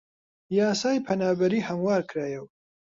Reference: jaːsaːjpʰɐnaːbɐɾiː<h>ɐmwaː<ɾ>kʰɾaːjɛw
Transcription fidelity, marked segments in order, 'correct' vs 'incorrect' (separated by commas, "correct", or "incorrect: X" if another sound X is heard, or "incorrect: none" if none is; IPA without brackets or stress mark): correct, correct